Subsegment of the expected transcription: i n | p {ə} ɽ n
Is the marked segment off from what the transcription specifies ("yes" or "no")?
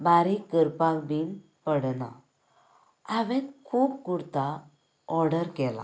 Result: no